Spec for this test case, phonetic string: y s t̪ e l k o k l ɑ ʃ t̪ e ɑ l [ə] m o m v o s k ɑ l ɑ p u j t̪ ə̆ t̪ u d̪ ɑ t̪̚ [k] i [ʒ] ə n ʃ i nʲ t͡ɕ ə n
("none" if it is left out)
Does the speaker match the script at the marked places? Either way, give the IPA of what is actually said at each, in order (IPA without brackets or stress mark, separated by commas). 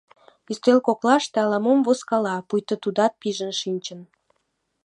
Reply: ɑ, p, ʒ